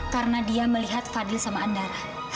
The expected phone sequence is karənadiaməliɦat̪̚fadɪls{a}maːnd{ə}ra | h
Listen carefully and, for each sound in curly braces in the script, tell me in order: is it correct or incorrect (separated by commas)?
correct, incorrect